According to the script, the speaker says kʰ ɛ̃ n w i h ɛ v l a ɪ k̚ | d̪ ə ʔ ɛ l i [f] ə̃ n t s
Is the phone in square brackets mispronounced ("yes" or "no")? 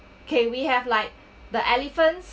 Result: no